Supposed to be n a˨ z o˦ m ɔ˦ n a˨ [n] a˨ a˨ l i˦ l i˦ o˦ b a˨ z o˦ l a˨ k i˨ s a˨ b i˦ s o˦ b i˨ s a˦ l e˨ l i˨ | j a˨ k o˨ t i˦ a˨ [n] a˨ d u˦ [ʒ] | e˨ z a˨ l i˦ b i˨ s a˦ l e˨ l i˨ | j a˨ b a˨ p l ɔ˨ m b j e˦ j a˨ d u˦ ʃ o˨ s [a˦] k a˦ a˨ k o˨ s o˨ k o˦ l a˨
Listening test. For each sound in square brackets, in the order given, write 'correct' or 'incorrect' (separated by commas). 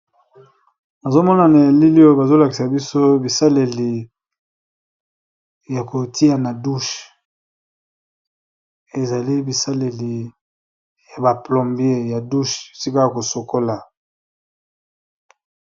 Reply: correct, correct, incorrect, incorrect